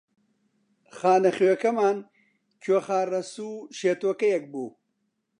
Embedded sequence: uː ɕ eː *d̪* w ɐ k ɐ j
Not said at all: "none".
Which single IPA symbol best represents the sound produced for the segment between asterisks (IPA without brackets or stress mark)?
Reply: t̪